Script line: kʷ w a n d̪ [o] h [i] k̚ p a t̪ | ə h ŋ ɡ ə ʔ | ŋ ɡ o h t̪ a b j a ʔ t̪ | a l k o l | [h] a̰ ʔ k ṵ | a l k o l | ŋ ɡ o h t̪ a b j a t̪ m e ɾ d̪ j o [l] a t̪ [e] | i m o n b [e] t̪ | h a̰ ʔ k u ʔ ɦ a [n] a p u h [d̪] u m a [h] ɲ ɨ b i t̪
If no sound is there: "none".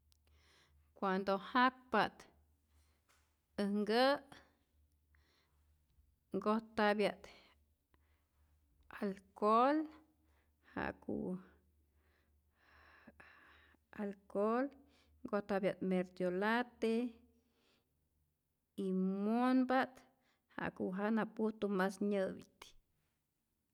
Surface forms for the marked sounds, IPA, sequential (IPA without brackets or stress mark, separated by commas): o, a, h, l, e, a, n, t̪, s